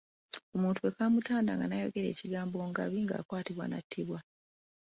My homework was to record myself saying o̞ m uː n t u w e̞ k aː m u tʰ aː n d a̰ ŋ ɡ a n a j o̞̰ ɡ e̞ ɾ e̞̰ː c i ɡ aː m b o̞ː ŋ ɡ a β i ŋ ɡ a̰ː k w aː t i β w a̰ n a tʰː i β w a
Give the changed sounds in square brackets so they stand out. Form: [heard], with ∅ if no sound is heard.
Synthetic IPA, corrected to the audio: o̞ m uː n t u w e̞ k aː m u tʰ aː n d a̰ ŋ ɡ a n a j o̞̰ ɡ e̞ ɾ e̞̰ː c i ɡ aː m b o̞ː ŋ ɡ a β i ŋ ɡ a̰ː k w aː t i β w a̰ n a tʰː i β w a